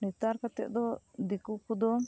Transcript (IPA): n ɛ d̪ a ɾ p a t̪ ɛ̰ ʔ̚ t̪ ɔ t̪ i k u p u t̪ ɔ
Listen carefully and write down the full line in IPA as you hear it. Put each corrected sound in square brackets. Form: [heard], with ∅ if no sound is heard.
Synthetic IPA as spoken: n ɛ [t̪] a ɾ [k] a t̪ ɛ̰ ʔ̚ [d̪] ɔ [d̪] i k u [k] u [d̪] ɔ